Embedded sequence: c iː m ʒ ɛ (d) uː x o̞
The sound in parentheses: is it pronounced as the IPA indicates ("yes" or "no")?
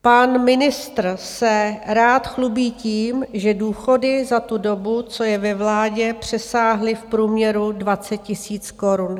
yes